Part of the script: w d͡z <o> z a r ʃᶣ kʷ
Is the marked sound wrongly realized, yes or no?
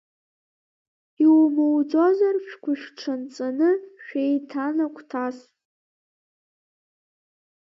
no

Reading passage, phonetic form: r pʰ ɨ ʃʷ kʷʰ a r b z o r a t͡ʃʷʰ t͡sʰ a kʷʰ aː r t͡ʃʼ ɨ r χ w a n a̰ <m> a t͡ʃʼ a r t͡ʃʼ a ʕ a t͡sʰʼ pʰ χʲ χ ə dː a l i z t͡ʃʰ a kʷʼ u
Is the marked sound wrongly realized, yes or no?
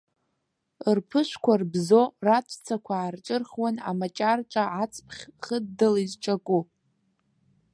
no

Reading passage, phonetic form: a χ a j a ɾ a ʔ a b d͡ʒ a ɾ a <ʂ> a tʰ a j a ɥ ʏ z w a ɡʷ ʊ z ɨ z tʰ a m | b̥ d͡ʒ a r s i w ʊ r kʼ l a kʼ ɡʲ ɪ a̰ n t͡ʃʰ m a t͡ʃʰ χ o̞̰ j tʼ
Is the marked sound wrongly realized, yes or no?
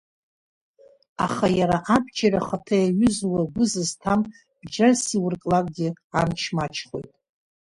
yes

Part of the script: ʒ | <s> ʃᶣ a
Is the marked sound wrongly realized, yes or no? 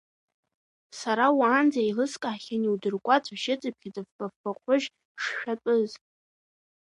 yes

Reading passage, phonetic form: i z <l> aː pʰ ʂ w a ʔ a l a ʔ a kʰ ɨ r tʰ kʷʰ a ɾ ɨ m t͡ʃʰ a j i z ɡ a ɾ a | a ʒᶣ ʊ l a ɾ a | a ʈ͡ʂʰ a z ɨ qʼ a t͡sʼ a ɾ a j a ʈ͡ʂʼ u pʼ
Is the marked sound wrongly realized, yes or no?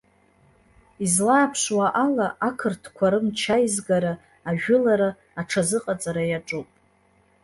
no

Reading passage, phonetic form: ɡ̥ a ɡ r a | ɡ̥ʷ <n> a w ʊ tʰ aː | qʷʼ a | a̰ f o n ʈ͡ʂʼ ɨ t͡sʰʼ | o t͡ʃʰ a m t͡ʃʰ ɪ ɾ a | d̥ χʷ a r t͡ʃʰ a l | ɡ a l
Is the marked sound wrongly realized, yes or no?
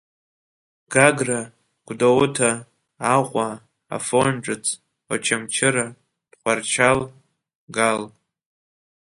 yes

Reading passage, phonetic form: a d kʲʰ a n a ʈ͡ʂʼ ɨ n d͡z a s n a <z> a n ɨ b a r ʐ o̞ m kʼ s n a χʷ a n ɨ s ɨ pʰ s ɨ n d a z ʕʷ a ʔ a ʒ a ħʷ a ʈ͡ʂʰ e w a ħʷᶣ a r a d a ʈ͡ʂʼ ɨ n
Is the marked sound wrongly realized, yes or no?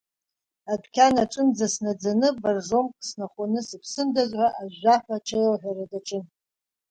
yes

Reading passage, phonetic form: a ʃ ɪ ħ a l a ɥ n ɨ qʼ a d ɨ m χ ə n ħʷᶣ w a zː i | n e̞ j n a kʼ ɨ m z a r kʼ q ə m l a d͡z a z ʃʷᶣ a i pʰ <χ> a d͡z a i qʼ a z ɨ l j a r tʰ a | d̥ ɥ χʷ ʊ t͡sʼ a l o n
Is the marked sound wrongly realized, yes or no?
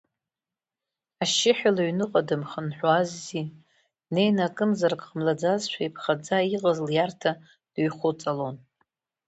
no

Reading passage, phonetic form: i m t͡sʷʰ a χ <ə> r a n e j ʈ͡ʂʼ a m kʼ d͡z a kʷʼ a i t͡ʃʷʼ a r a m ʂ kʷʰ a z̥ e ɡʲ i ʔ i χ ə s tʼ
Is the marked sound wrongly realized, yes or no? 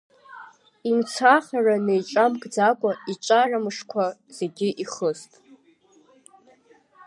yes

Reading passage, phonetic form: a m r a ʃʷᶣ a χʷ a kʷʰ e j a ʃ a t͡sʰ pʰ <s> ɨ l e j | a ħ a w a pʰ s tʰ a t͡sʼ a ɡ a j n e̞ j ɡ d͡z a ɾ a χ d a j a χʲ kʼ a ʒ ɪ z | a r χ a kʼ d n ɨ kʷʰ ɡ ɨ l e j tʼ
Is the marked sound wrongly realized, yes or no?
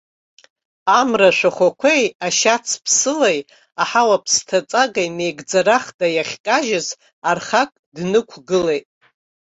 no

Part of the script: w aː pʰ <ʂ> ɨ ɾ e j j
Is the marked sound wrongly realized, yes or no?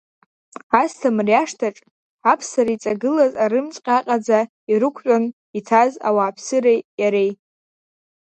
yes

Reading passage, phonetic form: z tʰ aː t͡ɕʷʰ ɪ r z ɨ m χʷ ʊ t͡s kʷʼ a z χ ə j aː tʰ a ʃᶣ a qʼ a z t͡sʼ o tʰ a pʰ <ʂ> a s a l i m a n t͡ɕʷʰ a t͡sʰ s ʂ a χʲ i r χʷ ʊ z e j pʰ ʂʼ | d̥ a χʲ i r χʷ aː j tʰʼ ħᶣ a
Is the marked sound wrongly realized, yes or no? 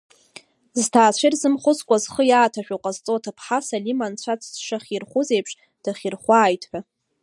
yes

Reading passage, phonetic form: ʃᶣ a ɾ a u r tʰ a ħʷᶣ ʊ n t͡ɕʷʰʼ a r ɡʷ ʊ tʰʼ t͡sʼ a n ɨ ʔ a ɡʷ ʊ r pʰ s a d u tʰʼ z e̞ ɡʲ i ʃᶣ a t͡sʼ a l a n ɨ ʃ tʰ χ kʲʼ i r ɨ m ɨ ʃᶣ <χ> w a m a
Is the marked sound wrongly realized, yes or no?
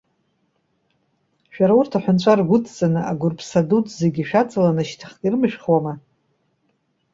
no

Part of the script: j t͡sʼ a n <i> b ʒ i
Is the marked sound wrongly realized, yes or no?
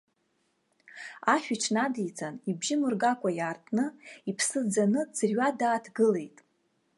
no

